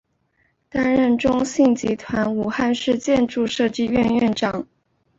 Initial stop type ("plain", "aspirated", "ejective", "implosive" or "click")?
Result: plain